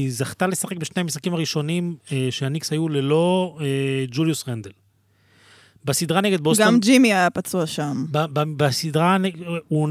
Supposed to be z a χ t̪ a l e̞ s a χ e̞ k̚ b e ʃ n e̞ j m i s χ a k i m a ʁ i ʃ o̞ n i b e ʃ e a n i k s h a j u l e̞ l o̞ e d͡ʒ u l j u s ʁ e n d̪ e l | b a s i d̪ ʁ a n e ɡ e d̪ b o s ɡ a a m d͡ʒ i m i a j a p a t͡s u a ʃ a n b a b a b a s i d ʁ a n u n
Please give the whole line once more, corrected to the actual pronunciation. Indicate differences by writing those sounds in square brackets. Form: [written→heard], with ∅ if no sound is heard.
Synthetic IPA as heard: z a χ t̪ a l e̞ s a χ e̞ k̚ b e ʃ n e̞ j m i s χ a k i m a ʁ i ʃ o̞ n i [b→m] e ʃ e a n i k s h a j u l e̞ l o̞ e d͡ʒ u l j u s ʁ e n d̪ e l | b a s i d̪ ʁ a n e ɡ e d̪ b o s ɡ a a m d͡ʒ i m i a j a p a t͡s u a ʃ a [n→m] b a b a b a s i d ʁ a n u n